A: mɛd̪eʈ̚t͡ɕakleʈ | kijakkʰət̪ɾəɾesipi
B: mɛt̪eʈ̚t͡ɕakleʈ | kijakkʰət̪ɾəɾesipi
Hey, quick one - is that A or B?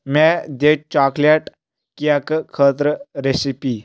A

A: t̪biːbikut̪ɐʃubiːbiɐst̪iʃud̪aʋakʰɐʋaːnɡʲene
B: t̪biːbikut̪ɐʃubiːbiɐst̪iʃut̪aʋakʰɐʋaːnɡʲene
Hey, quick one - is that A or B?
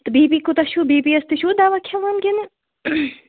A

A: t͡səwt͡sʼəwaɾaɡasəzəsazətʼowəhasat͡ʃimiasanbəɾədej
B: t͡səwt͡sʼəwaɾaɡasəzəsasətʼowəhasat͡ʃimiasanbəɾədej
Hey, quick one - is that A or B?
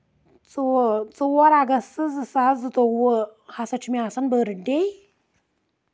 A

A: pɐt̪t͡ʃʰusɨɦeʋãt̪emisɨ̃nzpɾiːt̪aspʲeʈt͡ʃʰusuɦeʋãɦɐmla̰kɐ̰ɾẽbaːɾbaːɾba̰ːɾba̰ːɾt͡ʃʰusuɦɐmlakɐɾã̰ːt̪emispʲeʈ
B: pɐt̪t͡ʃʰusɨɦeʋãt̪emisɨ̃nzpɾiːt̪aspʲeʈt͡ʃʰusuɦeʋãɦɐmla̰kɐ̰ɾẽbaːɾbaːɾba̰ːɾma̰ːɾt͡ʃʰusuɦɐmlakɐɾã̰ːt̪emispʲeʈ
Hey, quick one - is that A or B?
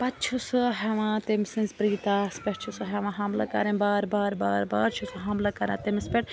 A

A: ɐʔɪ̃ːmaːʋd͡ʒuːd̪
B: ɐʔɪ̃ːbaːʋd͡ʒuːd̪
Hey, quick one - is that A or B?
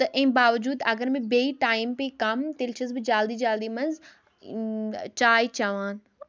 B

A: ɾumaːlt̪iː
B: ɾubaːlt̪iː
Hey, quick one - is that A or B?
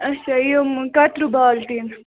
B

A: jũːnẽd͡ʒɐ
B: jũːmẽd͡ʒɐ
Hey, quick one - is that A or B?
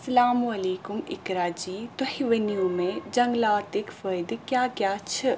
B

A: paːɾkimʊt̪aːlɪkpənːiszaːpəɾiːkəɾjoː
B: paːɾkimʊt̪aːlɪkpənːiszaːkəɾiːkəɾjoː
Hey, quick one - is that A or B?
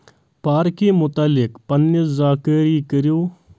B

